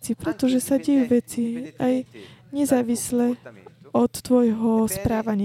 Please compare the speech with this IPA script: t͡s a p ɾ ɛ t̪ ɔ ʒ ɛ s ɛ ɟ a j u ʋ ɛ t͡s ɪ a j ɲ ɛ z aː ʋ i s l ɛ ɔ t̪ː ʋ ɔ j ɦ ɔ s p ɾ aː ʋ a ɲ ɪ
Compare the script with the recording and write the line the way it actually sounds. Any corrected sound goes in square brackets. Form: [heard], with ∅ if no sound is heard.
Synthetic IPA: t͡s [i] p ɾ ɛ t̪ ɔ ʒ ɛ s [a] ɟ [ɛ] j u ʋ ɛ t͡s [i] a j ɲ ɛ z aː ʋ i s l ɛ ɔ t̪ː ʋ ɔ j ɦ ɔ s p ɾ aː ʋ a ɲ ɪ